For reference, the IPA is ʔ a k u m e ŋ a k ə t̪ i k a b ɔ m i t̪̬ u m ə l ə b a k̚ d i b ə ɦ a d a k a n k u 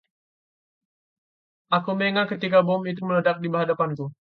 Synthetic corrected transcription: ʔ a k u m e ŋ a k ə t̪ i k a b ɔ m i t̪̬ u m ə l ə d a k̚ d i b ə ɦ a d a p a n k u